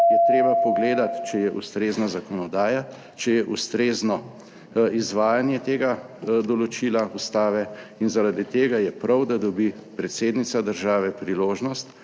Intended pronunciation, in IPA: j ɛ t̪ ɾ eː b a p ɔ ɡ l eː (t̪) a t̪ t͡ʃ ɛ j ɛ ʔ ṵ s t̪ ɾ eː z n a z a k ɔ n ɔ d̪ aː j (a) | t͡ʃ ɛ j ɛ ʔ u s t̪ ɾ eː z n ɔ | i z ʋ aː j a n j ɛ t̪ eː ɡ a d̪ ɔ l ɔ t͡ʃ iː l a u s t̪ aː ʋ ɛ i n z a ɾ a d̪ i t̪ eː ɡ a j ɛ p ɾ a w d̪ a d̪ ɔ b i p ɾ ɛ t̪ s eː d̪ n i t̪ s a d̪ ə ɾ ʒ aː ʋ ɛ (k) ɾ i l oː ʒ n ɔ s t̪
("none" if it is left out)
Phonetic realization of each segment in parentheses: d̪, a, p

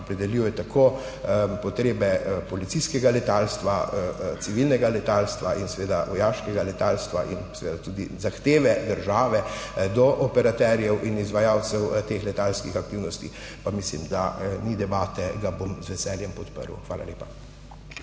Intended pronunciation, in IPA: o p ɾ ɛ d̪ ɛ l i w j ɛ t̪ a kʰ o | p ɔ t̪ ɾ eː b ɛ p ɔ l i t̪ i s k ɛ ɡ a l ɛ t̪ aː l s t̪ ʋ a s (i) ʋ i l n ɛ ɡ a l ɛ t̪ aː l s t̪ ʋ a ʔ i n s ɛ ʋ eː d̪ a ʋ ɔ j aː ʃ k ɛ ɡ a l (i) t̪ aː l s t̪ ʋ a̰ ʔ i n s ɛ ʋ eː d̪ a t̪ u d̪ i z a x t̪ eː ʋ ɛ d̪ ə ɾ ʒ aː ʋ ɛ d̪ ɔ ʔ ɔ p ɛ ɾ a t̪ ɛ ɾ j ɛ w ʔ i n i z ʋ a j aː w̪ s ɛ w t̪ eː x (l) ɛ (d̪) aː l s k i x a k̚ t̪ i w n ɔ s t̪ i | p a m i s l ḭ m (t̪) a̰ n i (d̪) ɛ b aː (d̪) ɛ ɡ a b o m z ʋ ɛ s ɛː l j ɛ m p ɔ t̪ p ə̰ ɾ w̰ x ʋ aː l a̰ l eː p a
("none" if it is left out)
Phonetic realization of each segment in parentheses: i, ɛ, l, t̪, d̪, d̪, t̪

